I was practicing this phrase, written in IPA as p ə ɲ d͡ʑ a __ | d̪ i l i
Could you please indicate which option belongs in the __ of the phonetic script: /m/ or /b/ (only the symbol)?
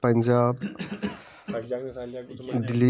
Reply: b